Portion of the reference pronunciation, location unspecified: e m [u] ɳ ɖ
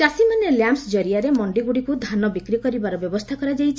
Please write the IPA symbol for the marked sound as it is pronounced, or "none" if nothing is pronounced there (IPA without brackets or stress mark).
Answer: ɔ